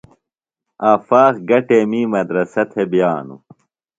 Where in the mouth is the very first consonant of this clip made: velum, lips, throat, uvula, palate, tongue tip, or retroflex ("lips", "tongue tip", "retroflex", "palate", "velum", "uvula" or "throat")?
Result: lips